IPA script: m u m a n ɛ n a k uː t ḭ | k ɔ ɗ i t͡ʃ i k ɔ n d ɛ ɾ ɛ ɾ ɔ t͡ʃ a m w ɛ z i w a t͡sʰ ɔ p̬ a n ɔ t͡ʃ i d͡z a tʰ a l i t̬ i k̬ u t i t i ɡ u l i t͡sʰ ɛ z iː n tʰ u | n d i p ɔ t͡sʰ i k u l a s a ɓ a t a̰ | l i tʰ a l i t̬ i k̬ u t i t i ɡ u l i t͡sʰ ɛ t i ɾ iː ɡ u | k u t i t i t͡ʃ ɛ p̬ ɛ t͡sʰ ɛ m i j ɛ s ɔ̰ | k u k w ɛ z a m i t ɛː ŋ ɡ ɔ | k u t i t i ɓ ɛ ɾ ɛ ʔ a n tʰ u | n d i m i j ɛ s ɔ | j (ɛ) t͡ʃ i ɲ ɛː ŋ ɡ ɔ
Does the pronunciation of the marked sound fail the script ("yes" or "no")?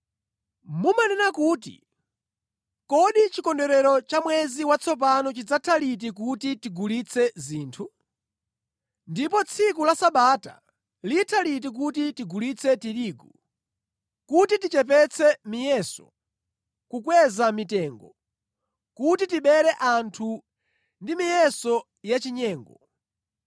yes